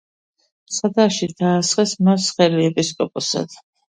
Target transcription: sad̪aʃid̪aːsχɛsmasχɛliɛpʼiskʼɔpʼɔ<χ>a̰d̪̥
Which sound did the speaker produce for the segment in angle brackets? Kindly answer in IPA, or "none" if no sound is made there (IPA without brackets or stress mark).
s